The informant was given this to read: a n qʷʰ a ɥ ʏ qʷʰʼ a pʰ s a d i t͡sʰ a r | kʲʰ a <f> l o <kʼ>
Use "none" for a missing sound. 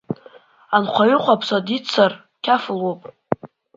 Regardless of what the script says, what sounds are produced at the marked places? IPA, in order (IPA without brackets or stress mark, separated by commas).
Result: f, pʼ